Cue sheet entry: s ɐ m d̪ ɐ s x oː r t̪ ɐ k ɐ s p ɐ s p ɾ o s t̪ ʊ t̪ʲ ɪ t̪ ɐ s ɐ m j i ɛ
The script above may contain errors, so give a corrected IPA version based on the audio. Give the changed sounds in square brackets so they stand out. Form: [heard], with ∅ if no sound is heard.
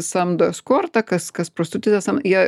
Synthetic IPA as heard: s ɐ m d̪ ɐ s [k] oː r t̪ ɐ k ɐ s [k] ɐ s p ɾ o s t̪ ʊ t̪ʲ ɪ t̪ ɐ s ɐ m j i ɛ